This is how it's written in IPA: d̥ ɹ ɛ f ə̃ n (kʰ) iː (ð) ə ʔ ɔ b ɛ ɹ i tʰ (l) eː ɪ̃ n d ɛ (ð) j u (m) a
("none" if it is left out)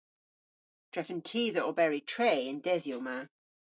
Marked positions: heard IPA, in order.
tʰ, ð, ɹ, ð, m

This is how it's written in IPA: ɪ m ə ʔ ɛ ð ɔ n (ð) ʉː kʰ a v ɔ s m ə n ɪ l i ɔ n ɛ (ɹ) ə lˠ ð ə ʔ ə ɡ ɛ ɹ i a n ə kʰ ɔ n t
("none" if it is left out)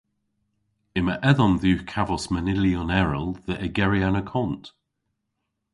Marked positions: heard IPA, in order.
ð, ɹ

